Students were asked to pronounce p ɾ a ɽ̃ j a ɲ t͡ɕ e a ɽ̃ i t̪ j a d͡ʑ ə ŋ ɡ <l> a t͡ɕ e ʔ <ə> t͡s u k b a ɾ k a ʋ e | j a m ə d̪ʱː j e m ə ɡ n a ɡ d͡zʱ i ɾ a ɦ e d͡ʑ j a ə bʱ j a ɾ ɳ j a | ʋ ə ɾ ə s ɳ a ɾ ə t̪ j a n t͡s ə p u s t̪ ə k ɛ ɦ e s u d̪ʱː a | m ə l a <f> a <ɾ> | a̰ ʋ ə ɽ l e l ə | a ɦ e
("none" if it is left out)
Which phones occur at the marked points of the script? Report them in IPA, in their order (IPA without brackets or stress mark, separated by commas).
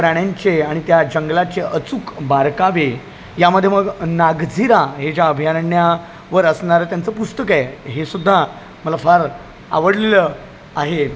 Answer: l, ə, f, ɾ